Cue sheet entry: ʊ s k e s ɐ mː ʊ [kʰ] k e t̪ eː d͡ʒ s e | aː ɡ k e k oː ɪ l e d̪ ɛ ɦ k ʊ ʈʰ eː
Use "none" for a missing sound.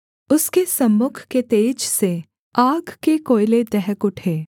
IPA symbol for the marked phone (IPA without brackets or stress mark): kʰ